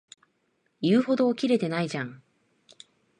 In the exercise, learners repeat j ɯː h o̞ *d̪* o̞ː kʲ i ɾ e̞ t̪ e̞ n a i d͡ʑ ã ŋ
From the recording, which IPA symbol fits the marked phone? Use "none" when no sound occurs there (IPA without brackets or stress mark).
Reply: d̪